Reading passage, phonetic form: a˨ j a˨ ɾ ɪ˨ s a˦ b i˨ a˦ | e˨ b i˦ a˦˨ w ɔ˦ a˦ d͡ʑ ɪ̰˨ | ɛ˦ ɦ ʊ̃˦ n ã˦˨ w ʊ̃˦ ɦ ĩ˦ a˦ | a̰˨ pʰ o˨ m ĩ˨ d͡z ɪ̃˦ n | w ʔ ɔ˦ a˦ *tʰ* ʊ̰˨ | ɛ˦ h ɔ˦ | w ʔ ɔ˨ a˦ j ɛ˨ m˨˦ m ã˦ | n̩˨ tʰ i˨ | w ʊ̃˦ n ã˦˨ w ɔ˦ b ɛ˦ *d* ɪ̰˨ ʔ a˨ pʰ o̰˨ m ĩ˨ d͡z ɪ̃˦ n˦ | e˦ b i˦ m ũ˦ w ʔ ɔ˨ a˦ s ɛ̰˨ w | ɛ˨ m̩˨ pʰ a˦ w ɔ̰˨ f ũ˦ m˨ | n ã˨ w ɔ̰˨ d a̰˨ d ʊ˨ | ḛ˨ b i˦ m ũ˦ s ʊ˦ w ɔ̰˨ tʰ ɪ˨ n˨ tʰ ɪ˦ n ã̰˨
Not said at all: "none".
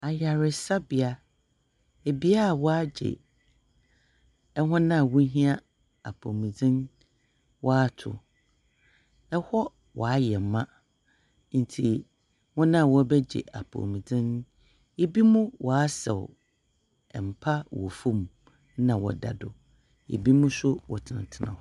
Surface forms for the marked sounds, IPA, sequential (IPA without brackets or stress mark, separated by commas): tʰ, d͡ʑ